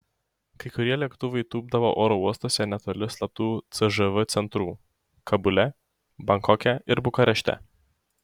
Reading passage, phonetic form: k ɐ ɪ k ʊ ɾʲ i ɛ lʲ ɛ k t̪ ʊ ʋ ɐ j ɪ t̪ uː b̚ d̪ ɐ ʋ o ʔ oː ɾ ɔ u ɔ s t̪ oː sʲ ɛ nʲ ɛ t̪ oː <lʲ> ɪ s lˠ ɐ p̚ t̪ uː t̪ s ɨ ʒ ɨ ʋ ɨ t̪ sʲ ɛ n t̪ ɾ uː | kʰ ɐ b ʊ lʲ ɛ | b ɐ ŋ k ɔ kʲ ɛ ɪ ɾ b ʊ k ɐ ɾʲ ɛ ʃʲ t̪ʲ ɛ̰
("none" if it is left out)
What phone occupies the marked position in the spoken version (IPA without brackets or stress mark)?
lʲ